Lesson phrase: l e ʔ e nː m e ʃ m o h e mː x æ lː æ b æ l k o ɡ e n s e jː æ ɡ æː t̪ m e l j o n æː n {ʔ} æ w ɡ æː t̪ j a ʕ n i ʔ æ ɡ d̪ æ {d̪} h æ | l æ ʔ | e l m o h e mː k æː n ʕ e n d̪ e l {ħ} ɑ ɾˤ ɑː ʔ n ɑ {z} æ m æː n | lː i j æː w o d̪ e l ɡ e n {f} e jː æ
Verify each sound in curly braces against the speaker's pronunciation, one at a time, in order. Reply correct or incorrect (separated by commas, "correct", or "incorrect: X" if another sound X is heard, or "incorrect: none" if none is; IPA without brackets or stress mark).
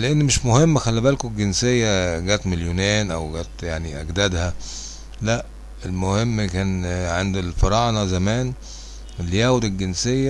correct, correct, incorrect: f, correct, incorrect: s